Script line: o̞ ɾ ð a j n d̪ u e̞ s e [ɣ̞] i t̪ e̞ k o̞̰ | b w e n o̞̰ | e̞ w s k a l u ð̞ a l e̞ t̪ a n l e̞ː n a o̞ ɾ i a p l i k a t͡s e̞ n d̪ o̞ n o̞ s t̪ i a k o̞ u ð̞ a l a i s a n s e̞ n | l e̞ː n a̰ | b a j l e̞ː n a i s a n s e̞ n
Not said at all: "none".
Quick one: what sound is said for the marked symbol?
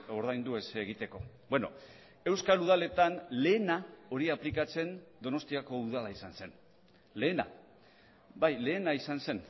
ɣ̞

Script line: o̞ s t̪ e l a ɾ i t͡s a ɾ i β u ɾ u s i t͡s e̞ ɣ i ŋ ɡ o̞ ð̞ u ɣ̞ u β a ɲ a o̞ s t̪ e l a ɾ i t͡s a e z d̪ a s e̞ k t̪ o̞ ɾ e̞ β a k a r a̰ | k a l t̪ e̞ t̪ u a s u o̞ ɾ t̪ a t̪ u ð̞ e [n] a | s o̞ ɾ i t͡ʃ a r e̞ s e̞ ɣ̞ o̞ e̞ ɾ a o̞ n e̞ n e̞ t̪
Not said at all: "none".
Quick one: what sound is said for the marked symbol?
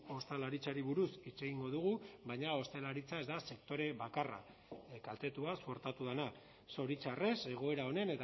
n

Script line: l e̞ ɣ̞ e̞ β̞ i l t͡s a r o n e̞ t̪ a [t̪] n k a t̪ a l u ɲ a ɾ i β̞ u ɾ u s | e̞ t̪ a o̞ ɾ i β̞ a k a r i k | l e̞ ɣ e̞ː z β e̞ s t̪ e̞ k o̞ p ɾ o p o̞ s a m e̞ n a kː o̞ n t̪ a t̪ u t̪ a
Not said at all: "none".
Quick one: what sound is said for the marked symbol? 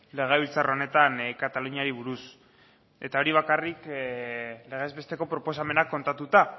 none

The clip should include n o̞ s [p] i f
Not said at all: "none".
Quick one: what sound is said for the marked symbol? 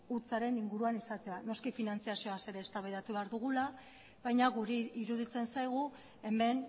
k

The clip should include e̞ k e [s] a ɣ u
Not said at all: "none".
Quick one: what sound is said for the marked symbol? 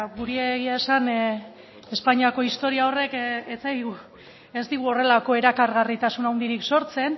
t͡s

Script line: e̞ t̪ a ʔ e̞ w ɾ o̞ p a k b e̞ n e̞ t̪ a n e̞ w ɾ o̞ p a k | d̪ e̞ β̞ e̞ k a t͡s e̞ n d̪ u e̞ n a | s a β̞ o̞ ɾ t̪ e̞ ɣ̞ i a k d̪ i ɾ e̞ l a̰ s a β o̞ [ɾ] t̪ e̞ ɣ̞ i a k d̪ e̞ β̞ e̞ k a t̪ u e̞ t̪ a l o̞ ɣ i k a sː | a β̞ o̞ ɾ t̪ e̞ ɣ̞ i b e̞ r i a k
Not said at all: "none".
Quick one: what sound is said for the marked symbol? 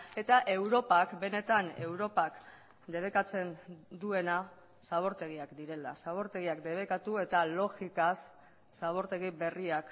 ɾ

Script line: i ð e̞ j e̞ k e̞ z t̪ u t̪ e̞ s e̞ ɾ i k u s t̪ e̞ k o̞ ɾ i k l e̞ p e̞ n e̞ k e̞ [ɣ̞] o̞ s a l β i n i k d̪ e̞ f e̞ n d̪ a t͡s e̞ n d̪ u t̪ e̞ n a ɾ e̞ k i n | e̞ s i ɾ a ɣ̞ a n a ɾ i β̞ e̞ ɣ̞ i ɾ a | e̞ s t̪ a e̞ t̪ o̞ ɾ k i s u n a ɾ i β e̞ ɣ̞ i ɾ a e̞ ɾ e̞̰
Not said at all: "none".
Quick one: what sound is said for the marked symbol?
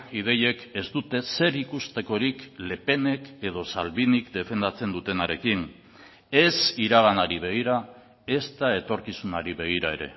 ð̞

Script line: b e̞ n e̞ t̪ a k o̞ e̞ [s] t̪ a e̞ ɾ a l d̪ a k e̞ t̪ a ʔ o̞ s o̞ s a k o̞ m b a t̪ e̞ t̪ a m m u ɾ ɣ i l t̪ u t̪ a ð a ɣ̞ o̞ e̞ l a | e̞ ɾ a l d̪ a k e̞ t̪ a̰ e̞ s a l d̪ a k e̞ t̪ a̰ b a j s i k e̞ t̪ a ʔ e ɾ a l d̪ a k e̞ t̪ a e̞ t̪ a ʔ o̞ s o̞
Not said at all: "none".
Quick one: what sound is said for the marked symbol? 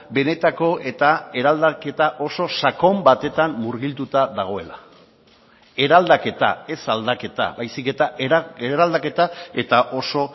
none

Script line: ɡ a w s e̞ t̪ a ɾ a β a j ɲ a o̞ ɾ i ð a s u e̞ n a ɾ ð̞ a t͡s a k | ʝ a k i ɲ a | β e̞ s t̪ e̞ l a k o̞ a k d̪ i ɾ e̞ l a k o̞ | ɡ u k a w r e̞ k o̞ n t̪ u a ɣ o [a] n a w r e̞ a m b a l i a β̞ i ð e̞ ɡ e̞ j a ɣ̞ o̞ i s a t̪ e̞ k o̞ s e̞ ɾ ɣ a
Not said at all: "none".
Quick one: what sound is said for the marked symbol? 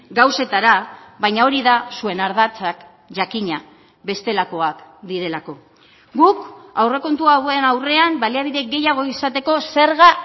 e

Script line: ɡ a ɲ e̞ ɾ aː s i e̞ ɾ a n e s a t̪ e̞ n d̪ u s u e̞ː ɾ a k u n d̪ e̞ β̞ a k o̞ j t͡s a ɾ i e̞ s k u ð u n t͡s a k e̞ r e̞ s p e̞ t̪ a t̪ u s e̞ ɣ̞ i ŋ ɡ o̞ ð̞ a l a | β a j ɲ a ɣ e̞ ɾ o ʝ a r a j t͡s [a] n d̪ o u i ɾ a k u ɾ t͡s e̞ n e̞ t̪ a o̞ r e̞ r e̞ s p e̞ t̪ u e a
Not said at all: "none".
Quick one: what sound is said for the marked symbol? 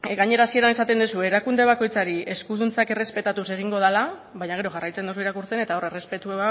e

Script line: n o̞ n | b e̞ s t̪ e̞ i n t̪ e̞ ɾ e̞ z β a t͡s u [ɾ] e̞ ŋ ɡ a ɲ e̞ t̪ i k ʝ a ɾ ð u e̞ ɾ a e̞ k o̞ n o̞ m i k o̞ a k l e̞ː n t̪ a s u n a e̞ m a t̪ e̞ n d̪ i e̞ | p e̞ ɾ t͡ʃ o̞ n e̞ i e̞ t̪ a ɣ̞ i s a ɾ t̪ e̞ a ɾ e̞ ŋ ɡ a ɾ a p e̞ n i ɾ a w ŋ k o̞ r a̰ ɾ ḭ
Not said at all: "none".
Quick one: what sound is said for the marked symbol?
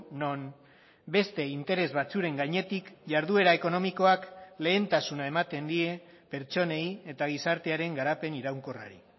ɾ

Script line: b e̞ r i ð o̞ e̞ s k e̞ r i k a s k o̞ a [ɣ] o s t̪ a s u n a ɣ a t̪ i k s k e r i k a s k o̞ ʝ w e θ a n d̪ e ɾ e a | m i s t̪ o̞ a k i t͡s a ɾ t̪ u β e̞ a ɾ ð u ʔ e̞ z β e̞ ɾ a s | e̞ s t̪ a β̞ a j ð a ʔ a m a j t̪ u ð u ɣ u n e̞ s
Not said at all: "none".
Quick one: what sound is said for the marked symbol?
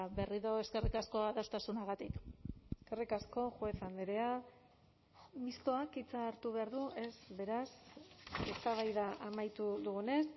ð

